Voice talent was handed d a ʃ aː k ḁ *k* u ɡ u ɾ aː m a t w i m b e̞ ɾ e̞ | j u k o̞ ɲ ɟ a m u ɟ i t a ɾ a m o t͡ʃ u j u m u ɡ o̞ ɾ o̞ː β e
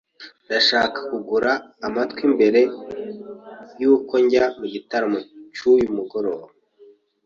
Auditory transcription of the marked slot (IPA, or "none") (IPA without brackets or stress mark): k